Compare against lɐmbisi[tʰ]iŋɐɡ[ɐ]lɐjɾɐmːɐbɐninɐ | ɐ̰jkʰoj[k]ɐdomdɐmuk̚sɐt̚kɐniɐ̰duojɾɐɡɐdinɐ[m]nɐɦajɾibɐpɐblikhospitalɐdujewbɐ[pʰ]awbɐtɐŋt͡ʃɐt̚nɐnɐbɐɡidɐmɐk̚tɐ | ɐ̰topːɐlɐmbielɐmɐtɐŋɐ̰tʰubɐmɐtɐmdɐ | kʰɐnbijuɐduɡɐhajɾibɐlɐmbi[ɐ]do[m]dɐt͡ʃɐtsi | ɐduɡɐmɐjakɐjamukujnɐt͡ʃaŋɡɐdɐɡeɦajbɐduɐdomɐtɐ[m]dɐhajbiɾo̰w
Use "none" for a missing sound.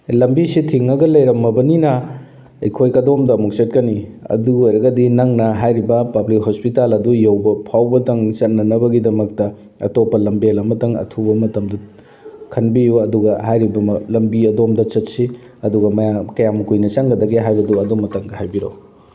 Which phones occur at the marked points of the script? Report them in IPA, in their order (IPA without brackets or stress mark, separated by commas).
tʰ, ɐ, k, ŋ, pʰ, ɐ, m, ŋ